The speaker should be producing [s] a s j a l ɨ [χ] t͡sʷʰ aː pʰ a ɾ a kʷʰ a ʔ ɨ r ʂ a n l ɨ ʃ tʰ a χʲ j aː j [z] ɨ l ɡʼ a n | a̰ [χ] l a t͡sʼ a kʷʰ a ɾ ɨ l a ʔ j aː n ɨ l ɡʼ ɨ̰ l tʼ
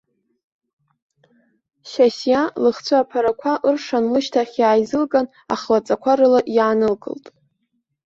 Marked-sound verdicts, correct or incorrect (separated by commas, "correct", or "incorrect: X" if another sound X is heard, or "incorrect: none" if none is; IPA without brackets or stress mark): incorrect: ʃ, correct, correct, correct